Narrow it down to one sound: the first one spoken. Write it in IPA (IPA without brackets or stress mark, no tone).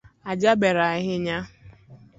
a